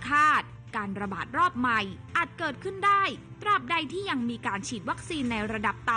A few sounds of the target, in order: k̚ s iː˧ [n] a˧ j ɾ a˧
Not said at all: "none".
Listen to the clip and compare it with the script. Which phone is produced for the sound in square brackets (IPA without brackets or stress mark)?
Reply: nː